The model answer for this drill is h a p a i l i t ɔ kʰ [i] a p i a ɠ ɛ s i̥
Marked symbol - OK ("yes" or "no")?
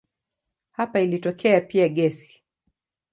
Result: no